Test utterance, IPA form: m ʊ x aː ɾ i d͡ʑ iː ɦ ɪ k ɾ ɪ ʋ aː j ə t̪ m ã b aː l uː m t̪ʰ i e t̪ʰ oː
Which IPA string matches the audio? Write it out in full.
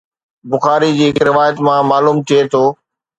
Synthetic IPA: b ʊ x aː ɾ i d͡ʑ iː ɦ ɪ k ɾ ɪ ʋ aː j ə t̪ m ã m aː l uː m t̪ʰ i e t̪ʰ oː